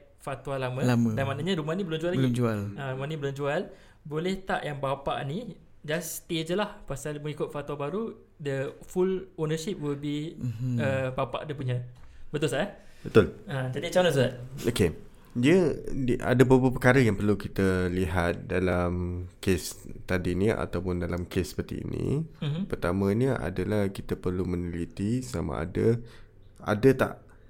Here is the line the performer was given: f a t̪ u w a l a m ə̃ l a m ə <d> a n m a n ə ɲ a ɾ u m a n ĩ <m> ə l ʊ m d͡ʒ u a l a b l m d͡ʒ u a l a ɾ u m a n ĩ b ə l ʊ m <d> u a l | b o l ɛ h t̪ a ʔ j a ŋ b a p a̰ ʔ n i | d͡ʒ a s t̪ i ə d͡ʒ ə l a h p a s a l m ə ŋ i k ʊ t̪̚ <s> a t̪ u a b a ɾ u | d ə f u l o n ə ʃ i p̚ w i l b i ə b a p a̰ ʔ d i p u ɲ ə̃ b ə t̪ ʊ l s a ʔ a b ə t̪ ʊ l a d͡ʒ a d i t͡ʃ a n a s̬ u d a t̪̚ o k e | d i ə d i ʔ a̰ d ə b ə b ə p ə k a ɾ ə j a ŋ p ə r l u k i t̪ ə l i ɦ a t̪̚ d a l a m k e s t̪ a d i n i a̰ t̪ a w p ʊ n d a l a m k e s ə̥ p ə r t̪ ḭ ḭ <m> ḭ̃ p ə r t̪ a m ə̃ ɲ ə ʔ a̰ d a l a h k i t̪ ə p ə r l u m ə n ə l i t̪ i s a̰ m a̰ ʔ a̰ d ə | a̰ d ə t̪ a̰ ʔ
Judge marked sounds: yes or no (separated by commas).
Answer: yes, no, no, no, no